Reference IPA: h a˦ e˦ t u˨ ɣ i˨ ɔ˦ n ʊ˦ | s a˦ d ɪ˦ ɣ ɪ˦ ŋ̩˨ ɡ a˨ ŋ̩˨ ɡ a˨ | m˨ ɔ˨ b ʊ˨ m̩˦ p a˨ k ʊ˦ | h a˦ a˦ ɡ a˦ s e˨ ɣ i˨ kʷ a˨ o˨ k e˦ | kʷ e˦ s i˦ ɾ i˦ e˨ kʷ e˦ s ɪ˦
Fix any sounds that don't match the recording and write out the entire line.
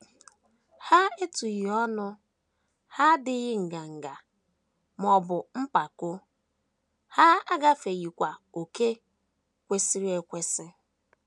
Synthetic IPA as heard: h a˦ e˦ t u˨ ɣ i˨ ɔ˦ n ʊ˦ | h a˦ d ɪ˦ ɣ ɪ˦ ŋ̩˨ ɡ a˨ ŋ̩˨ ɡ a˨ | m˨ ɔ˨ b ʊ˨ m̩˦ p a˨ k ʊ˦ | h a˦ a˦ ɡ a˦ f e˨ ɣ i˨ kʷ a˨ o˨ k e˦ | kʷ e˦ s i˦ ɾ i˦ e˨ kʷ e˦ s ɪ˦